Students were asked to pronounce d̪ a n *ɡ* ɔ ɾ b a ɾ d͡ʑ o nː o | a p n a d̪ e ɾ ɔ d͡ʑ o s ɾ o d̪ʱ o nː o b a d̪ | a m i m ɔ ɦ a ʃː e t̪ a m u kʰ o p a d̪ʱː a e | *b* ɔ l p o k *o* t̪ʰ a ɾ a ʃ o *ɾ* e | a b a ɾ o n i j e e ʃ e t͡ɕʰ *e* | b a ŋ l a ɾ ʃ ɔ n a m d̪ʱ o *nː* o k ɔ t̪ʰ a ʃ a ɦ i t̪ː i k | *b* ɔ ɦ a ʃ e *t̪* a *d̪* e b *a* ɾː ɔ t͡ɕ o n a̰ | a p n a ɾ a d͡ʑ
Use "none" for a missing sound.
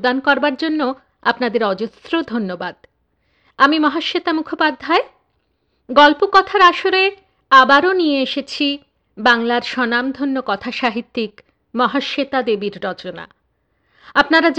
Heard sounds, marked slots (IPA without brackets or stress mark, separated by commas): k, ɡ, ɔ, ɾ, i, nː, m, t̪, d̪, i